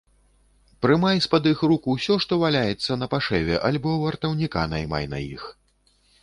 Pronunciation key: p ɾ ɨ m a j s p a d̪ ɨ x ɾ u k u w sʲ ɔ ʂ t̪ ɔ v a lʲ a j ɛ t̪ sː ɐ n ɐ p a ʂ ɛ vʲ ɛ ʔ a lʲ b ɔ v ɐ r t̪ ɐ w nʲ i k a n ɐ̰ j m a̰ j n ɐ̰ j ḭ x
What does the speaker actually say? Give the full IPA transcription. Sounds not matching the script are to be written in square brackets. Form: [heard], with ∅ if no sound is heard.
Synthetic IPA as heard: p ɾ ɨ m a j s p a d̪ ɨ x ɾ u k u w sʲ ɔ ʂ t̪ ɔ v a lʲ a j ɛ t̪ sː ɐ n ɐ p a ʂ ɛ vʲ ɛ ʔ a lʲ b ɔ v ɐ r t̪ ɐ w nʲ i k a n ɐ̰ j m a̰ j n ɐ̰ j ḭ x